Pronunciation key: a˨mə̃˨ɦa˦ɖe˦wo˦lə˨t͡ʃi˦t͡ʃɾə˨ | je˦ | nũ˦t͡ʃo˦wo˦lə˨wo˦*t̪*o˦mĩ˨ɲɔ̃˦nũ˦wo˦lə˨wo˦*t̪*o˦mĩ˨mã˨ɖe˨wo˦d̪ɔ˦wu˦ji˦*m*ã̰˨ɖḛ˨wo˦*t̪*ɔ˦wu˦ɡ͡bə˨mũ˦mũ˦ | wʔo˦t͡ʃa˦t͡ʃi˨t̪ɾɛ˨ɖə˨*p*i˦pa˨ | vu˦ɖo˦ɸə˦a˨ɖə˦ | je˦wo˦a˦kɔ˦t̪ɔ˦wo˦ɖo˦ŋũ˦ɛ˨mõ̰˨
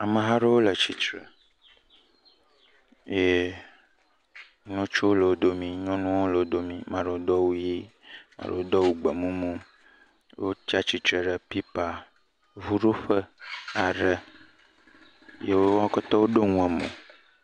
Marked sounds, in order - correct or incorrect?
incorrect, incorrect, correct, incorrect, correct

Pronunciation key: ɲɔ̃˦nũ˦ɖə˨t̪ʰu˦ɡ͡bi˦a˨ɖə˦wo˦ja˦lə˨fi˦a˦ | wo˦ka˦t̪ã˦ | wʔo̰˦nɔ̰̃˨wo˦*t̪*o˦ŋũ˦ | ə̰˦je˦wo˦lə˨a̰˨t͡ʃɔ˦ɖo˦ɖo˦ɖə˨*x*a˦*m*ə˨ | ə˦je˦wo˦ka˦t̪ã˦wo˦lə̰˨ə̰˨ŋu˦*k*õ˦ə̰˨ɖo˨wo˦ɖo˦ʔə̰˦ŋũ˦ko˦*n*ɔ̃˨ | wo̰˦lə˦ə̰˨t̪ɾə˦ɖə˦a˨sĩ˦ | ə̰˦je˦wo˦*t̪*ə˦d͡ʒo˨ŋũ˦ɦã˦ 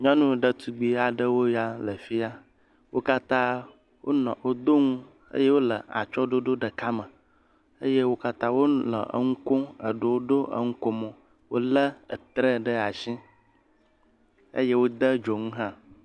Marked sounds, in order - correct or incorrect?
incorrect, incorrect, correct, correct, incorrect, incorrect

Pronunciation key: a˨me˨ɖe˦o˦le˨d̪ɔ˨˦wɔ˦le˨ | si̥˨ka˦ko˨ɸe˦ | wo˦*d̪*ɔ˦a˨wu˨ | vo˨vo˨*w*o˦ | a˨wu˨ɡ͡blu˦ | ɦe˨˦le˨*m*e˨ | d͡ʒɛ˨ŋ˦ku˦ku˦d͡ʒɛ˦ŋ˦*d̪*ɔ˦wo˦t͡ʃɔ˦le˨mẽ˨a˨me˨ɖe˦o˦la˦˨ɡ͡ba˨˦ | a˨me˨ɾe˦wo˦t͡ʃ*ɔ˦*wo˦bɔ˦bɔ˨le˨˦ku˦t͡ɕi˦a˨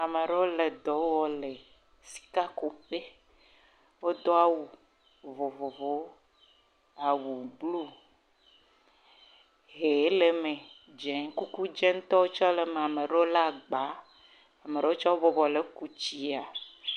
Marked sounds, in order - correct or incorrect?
correct, incorrect, correct, incorrect, correct

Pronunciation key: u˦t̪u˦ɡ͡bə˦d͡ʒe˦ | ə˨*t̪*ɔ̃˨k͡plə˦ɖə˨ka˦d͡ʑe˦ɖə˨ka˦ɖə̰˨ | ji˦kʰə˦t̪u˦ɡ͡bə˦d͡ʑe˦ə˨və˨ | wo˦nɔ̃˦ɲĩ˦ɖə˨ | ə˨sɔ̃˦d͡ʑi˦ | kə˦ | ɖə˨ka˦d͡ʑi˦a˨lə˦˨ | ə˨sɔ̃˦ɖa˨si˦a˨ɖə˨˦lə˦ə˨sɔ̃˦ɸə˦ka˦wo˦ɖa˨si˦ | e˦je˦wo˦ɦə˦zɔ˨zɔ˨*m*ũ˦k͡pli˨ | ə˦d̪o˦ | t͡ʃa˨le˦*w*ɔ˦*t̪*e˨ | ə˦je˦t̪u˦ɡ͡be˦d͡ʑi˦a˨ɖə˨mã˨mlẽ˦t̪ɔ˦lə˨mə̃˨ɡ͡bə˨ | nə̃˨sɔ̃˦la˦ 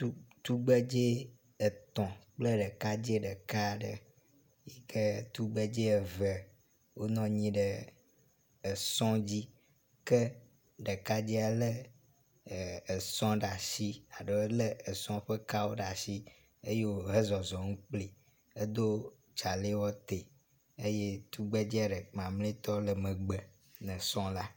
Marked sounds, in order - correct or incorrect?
correct, incorrect, correct, correct

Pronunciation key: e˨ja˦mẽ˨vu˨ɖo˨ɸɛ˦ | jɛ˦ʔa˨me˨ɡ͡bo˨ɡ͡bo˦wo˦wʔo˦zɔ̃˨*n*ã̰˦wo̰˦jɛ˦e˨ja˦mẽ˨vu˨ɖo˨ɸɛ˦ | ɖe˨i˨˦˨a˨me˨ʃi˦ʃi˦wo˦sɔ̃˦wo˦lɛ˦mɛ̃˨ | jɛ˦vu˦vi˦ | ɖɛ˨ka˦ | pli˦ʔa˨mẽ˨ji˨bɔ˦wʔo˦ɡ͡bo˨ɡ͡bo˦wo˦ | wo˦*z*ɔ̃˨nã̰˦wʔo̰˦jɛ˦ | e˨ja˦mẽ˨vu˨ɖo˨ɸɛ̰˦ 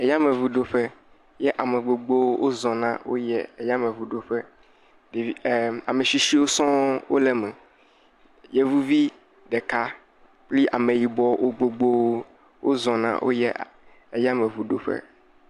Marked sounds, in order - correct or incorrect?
correct, correct

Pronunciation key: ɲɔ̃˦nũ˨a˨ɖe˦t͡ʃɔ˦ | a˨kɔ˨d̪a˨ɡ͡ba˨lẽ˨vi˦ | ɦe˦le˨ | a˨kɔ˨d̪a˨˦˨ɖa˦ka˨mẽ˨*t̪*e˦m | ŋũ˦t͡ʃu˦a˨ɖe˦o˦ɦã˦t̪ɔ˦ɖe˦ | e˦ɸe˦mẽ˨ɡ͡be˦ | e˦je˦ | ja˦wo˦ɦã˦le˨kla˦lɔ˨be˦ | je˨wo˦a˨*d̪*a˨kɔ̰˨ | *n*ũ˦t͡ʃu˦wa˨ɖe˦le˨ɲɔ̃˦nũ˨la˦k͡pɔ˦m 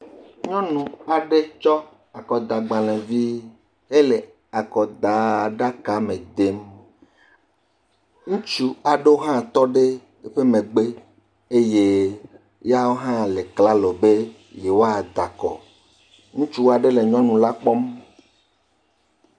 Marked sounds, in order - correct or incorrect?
incorrect, correct, incorrect

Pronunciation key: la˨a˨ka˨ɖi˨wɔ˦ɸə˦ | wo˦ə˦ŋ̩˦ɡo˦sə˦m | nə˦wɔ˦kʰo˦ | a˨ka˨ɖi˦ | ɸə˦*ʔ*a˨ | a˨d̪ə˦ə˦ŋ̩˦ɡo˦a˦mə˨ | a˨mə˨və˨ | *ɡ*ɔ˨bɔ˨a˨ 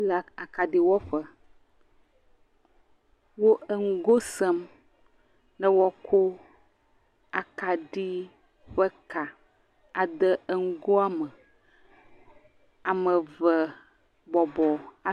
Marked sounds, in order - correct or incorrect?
incorrect, incorrect

